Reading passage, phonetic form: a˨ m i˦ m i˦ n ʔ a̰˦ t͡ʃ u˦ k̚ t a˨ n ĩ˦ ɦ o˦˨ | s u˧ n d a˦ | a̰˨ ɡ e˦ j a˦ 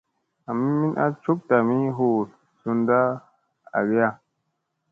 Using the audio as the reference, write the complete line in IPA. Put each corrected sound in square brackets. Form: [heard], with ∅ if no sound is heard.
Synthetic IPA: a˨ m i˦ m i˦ n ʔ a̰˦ t͡ʃ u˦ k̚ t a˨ [m] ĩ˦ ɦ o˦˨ | s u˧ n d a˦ | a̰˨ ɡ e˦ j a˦